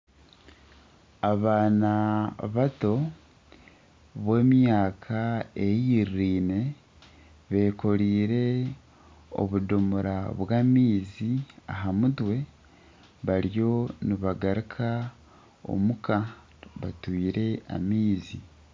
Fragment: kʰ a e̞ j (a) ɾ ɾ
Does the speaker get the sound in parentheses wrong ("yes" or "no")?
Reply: yes